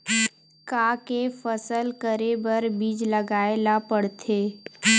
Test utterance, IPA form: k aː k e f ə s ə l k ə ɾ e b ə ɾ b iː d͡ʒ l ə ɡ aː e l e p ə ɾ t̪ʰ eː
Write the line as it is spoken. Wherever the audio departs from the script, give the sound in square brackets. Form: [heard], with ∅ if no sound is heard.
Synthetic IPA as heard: k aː k e f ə s ə l k ə ɾ e b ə ɾ b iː d͡ʒ l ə ɡ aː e l [a] p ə [ɽ] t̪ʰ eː